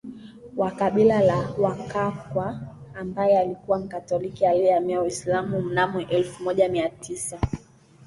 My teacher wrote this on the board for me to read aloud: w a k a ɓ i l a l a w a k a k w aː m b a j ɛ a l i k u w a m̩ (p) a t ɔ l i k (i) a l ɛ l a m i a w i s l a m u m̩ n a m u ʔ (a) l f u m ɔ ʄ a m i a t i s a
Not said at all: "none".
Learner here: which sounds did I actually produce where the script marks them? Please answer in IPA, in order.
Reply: k, i, ɛ

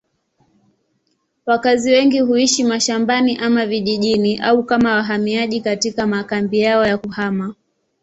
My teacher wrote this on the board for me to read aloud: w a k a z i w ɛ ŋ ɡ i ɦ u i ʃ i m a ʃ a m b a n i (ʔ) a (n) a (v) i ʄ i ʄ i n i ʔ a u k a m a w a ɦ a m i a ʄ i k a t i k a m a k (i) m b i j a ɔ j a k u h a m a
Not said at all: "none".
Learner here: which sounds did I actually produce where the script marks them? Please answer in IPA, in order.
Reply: ʔ, m, v, a

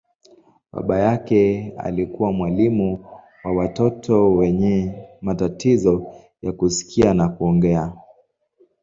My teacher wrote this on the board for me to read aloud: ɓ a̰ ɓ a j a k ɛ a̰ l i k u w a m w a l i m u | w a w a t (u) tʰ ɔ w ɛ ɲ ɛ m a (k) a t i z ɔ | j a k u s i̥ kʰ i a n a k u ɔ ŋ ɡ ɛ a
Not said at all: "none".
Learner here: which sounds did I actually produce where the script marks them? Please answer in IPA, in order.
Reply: ɔ, t

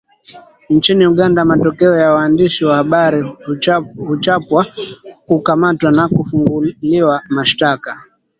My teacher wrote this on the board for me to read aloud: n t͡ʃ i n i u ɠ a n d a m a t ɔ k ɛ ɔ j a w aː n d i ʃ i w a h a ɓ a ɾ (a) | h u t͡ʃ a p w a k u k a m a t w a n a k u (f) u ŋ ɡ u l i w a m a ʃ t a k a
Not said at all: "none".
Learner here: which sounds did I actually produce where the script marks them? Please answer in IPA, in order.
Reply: i, f

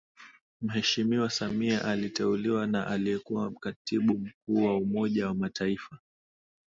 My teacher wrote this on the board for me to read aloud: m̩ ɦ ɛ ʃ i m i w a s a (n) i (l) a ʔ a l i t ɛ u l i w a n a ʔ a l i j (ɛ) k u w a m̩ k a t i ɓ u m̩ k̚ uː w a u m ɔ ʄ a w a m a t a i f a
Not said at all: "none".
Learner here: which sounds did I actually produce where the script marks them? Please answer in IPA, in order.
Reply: m, none, ɛ

